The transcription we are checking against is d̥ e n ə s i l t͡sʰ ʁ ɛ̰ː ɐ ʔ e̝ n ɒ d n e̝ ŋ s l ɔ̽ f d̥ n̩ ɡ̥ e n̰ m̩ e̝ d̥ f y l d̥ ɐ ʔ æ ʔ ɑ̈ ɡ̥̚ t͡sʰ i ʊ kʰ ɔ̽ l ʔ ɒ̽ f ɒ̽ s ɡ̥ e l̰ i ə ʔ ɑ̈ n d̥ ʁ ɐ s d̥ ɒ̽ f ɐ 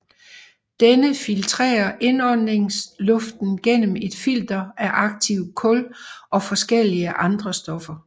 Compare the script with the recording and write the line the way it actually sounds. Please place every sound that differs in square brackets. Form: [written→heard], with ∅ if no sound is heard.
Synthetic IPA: d̥ e n ə [s→f] i l t͡sʰ ʁ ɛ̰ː ɐ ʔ e̝ n ɒ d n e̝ ŋ s l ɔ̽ f d̥ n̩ ɡ̥ e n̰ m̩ e̝ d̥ f [y→i] l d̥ ɐ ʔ æ ʔ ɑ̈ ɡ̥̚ t͡sʰ i ʊ kʰ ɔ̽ l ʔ ɒ̽ f ɒ̽ s ɡ̥ e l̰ i ə ʔ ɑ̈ n d̥ ʁ ɐ s d̥ ɒ̽ f ɐ